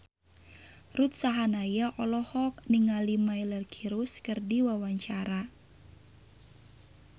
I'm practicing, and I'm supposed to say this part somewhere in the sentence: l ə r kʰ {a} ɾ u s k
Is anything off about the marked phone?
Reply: yes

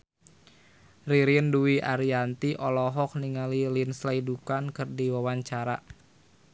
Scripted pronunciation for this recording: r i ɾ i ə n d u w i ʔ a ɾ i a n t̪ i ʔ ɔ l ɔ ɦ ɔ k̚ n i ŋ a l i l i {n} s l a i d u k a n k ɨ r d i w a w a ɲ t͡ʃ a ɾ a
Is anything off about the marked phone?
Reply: no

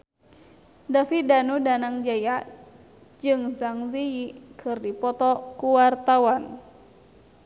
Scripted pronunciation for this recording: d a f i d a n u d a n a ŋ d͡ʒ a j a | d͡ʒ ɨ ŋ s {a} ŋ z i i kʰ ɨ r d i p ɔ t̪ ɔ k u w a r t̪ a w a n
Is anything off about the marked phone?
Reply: no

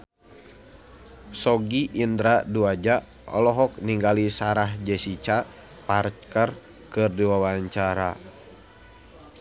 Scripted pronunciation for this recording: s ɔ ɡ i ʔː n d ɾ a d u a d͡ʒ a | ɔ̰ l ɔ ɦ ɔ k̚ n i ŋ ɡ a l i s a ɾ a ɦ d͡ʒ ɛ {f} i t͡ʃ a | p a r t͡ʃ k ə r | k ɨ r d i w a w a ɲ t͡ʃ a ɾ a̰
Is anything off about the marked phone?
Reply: yes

